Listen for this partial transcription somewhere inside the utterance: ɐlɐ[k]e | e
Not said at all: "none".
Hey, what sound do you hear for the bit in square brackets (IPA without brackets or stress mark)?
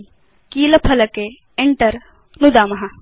k